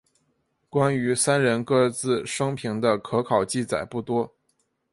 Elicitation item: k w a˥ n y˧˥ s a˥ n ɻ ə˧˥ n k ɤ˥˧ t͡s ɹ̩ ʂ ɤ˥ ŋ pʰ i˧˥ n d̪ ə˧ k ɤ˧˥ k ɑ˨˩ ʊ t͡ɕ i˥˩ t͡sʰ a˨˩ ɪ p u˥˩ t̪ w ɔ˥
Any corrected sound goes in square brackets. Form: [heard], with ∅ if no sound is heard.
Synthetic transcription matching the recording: k w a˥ n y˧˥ s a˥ n ɻ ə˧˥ n k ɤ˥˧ t͡s ɹ̩ ʂ ɤ˥ ŋ pʰ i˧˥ [ŋ] d̪ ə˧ [kʰ] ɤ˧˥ [kʰ] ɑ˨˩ ʊ t͡ɕ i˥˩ [t͡s] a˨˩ ɪ p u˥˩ t̪ w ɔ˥

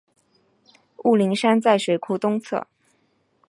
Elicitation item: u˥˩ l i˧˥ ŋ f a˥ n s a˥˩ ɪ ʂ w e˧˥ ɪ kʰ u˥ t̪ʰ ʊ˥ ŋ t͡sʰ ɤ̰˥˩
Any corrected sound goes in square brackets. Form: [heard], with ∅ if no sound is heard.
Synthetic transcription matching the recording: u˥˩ l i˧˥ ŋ [ʂ] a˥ n [t͡s] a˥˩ ɪ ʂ w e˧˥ ɪ kʰ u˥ [t̪] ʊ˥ ŋ t͡sʰ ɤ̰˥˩

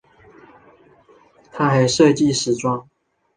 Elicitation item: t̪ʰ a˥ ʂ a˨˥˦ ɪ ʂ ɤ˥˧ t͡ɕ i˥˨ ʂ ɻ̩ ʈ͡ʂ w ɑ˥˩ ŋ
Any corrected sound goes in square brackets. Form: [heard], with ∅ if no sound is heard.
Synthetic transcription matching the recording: t̪ʰ a˥ [x] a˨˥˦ ɪ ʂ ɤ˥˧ t͡ɕ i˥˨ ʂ ɻ̩ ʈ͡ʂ w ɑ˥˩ ŋ

